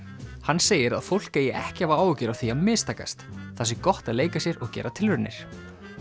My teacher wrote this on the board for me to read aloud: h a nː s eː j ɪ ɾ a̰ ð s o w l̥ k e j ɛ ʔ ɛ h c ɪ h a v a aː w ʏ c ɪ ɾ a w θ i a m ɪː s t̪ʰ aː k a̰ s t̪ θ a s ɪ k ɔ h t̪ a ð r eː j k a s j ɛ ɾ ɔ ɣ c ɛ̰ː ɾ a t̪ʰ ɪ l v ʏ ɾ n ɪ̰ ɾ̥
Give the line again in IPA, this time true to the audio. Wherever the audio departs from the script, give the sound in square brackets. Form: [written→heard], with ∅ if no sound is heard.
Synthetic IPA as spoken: h a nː s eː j ɪ ɾ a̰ ð [s→f] o w l̥ k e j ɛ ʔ ɛ h c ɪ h a v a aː w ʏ c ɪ ɾ a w θ i a m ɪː s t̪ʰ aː k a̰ s t̪ θ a s ɪ k ɔ h t̪ a ð [r→l] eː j k a s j ɛ ɾ ɔ ɣ c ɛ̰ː ɾ a t̪ʰ ɪ l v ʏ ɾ n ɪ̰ ɾ̥